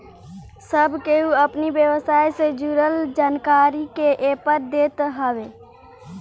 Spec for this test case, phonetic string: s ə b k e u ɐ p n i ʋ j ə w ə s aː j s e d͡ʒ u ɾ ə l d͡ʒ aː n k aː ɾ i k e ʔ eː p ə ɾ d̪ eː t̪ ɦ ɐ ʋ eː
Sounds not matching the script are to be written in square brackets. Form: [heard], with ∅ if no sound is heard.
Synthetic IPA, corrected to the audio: s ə b k e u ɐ p n i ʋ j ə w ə s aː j s e d͡ʒ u ɾ ə l d͡ʒ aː n k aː ɾ i k e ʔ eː p ə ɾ d̪ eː t̪ ɦ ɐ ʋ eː